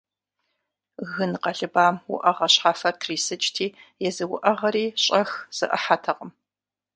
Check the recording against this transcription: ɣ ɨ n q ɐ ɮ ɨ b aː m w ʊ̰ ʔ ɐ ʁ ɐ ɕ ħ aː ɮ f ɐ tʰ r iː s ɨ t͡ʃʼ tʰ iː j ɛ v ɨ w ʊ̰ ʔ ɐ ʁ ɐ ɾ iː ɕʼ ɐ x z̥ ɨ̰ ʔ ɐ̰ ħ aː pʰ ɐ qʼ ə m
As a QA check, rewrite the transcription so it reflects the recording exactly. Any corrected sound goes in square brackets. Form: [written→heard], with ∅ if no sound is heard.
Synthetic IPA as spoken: ɣ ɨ n q ɐ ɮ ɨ b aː m w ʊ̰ ʔ ɐ ʁ ɐ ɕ ħ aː [ɮ→∅] f ɐ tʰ r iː s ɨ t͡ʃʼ tʰ iː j ɛ [v→z] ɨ w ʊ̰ ʔ ɐ ʁ ɐ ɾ iː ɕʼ ɐ x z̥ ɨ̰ ʔ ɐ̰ ħ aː [pʰ→tʰ] ɐ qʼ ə m